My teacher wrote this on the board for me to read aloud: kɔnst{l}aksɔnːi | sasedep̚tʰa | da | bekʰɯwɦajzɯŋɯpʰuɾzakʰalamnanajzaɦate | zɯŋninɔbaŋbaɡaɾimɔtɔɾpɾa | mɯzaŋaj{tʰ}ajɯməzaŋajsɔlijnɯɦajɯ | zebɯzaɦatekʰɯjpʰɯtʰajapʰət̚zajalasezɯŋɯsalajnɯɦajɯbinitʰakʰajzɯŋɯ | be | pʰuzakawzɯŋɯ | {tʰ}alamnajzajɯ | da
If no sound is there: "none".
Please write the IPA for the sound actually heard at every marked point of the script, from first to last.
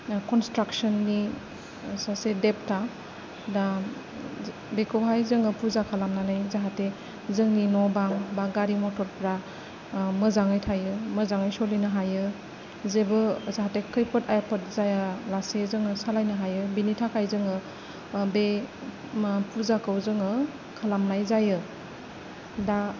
ɾ, tʰ, kʰ

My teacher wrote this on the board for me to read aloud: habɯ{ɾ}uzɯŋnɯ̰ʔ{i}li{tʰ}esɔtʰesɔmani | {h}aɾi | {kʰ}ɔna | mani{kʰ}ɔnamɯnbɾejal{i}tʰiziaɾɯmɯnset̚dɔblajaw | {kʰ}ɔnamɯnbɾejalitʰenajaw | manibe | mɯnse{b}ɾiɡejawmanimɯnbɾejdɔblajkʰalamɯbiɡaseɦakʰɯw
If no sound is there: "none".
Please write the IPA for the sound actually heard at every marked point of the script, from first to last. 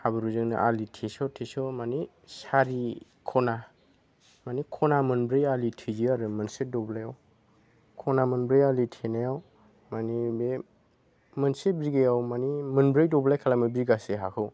ɾ, a, tʰ, s, kʰ, kʰ, i, kʰ, b

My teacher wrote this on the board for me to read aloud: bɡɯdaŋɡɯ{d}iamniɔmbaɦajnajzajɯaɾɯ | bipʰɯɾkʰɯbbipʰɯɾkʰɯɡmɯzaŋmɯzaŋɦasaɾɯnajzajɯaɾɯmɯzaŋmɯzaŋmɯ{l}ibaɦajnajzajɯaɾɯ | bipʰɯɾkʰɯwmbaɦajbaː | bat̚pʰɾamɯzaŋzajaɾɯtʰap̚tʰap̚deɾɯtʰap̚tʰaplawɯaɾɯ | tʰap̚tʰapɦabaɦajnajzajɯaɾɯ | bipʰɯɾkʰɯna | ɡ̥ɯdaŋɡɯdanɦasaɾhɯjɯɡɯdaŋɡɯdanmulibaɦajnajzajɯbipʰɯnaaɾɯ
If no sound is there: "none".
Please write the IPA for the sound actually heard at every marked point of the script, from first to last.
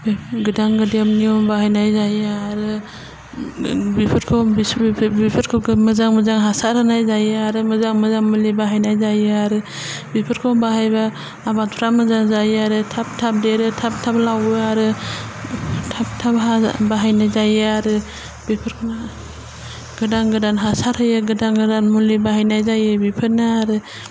d, l

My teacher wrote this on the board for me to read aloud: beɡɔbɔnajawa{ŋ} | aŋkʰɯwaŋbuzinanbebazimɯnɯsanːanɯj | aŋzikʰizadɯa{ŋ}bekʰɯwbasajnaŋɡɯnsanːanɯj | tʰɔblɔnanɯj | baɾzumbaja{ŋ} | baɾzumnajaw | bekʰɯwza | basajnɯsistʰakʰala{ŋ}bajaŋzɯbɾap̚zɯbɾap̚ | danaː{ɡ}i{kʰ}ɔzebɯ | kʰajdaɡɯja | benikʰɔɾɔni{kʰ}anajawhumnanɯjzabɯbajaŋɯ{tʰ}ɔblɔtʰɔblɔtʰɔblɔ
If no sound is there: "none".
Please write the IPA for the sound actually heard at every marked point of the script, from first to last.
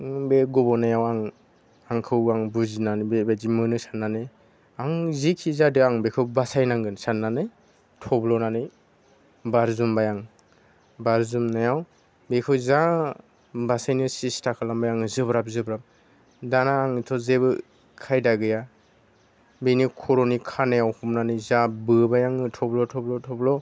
ŋ, ŋ, ŋ, m, ŋ, tʰ, kʰ, tʰ

